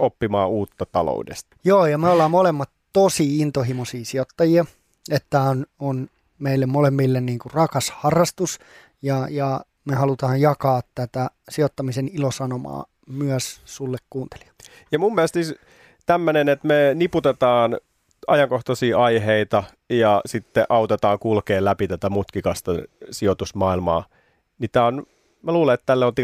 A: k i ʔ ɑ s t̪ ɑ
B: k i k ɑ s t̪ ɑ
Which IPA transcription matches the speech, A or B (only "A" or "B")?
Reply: B